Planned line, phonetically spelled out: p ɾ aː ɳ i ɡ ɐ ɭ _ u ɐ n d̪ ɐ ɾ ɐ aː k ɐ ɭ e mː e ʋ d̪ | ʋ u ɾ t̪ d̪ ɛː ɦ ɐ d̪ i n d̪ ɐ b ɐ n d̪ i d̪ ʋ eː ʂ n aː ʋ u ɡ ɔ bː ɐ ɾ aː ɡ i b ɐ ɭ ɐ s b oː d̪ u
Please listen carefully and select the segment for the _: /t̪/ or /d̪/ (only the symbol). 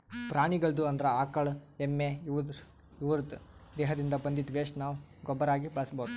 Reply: d̪